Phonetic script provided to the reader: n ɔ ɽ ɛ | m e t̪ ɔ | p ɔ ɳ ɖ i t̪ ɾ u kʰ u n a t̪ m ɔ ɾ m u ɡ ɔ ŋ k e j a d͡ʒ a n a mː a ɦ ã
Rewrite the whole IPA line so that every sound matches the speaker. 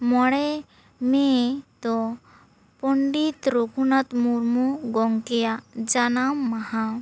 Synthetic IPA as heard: m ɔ ɽ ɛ | m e t̪ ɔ | p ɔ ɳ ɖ i t̪ ɾ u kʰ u n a t̪ m u ɾ m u ɡ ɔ ŋ k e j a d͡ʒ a n a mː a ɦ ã